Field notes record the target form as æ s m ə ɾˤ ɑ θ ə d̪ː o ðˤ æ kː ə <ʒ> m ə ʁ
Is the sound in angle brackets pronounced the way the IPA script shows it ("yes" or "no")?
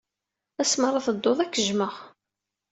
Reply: yes